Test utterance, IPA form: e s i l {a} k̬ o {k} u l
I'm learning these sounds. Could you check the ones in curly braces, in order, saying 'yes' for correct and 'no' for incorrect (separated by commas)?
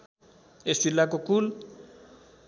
yes, yes